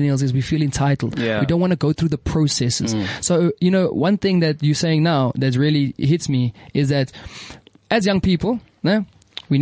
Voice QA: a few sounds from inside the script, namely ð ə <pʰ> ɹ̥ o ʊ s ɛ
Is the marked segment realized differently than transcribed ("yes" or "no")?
no